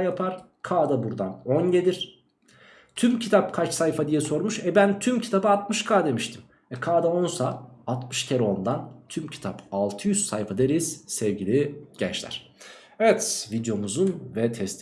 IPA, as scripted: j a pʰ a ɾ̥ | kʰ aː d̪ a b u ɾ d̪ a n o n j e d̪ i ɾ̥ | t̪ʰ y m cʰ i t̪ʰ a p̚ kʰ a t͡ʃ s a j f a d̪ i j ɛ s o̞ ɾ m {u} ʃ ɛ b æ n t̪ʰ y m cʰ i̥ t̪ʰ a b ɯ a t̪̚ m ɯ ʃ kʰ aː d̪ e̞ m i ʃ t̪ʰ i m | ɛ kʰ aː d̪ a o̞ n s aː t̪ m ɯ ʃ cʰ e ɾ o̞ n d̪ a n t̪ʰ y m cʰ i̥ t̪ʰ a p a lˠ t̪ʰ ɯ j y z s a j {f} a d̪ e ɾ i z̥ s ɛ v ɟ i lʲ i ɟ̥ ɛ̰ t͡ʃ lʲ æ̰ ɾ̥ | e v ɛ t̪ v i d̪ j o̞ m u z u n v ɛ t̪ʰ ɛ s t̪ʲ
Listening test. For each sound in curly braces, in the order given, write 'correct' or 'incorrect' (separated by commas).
correct, correct